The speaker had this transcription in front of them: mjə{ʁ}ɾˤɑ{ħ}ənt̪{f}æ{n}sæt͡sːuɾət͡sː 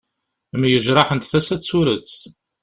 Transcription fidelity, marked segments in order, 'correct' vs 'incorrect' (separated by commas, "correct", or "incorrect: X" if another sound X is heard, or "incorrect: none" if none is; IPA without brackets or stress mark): incorrect: ʒ, correct, incorrect: θ, incorrect: none